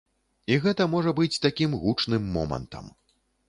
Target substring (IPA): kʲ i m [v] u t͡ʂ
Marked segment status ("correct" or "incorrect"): incorrect